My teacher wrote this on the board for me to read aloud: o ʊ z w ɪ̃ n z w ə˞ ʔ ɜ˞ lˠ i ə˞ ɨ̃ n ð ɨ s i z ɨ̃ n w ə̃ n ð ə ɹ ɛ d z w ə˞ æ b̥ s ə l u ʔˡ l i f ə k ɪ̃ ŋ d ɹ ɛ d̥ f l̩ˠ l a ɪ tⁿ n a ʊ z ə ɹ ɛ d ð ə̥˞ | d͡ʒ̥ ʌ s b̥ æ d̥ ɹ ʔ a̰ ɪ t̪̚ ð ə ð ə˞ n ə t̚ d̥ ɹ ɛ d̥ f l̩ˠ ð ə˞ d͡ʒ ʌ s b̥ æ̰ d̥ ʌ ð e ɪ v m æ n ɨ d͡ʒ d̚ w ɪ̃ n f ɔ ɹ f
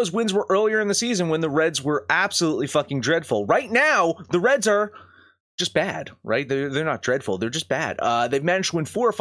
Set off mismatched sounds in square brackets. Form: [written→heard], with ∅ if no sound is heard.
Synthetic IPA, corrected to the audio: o ʊ z w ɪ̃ n z w ə˞ ʔ ɜ˞ lˠ i ə˞ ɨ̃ n ð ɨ s i z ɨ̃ n w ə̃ n ð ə ɹ ɛ d z w ə˞ æ b̥ s ə l u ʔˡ l i f [ə→ʌ] k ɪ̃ ŋ d ɹ ɛ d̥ f l̩ˠ [l→ɹ] a ɪ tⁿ n a ʊ [z→ð] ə ɹ ɛ d [ð→z] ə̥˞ | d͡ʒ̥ ʌ s b̥ æ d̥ ɹ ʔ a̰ ɪ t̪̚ ð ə ð ə˞ n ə t̚ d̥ ɹ ɛ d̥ f l̩ˠ ð ə˞ d͡ʒ ʌ s b̥ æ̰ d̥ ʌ ð e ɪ v m æ n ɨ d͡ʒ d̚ w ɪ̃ n f ɔ ɹ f